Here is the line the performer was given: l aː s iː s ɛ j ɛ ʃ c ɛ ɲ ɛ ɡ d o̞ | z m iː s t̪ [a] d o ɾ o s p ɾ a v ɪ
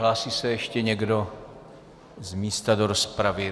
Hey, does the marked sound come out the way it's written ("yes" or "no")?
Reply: yes